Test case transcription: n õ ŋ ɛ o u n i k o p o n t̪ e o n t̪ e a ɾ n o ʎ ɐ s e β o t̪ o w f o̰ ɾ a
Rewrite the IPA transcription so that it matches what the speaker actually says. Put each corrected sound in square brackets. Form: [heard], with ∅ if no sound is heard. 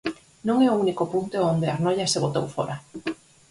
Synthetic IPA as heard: n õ ŋ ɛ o u n i k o p [u] n t̪ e o n [d̪] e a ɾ n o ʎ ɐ s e β o t̪ o w f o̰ ɾ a